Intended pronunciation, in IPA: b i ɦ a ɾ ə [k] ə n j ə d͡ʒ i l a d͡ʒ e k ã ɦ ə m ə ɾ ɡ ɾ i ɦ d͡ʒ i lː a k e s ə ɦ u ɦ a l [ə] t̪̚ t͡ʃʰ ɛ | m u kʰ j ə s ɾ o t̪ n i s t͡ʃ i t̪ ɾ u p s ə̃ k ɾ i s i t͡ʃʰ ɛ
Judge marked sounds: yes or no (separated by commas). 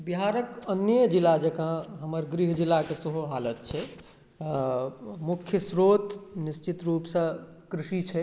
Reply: yes, yes